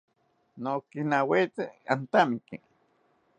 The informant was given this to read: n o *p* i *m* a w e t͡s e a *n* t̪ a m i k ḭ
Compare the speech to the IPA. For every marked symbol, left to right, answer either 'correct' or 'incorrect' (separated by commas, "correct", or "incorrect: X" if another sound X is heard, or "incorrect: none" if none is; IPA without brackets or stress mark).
incorrect: k, incorrect: n, correct